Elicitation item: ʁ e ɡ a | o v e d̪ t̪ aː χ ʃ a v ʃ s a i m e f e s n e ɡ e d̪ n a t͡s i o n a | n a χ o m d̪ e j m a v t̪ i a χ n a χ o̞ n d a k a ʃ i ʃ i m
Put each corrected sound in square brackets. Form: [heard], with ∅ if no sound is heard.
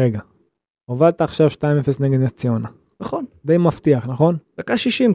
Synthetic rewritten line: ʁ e ɡ a | o v [a] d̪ t̪ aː χ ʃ a v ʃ [t] a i m e f e s n e ɡ e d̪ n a t͡s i o n a | n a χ o [n] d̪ e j m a [f] t̪ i a χ n a χ o̞ n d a k a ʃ i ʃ i m